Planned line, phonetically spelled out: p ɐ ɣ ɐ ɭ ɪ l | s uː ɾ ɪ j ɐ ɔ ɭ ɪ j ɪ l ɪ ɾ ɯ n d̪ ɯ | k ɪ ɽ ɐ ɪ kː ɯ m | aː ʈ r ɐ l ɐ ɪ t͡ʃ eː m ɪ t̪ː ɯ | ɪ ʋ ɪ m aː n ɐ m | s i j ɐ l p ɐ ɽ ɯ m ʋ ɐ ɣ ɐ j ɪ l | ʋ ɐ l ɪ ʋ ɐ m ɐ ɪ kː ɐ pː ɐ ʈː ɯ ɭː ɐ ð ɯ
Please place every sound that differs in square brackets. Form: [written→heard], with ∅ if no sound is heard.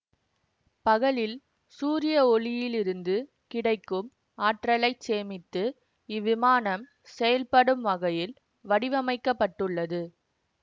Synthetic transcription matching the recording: p ɐ ɣ ɐ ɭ ɪ l | s uː ɾ ɪ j ɐ ɔ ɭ ɪ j ɪ l ɪ ɾ ɯ n d̪ ɯ | k ɪ ɽ ɐ ɪ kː ɯ m | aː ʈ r ɐ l ɐ ɪ t͡ʃ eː m ɪ t̪ː ɯ | ɪ ʋ ɪ m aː n ɐ m | s [i→ɛ] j ɐ l p ɐ ɽ ɯ m ʋ ɐ ɣ ɐ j ɪ l | ʋ ɐ [l→ɽ] ɪ ʋ ɐ m ɐ ɪ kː ɐ pː ɐ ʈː ɯ ɭː ɐ ð ɯ